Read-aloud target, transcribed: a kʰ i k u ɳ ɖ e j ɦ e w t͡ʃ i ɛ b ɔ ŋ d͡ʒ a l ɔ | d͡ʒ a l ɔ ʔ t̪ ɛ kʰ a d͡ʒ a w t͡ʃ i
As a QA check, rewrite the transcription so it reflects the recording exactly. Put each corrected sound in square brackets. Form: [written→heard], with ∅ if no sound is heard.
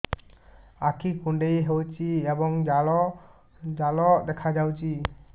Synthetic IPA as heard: a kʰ i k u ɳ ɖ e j ɦ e w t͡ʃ i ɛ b ɔ ŋ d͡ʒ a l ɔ | d͡ʒ a l ɔ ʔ [t̪→d̪] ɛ kʰ a d͡ʒ a w t͡ʃ i